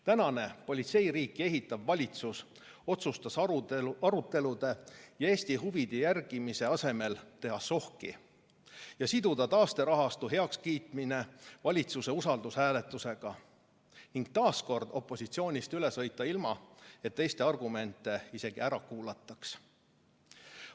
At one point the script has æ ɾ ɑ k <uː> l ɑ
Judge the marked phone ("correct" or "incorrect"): correct